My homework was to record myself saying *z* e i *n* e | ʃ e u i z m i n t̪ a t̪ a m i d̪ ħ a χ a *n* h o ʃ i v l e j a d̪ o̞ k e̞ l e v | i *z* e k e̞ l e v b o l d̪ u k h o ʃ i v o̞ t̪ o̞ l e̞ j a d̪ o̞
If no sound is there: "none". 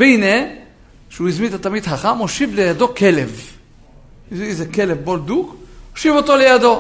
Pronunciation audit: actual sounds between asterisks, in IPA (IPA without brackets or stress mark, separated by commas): v, n, m, z